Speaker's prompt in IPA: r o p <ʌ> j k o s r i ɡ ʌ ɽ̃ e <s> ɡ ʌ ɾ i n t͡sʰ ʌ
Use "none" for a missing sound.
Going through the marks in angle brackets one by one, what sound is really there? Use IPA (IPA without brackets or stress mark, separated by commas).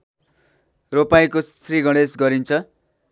a, s